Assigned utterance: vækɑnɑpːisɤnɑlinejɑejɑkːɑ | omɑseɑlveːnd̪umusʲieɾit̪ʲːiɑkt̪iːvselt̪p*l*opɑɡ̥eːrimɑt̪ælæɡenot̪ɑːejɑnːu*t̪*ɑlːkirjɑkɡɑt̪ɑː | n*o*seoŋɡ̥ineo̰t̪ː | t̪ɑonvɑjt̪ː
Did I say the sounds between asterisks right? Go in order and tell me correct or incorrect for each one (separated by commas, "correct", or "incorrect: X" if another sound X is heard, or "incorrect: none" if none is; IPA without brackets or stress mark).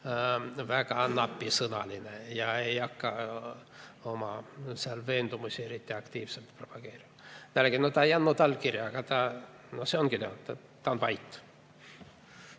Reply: incorrect: r, correct, correct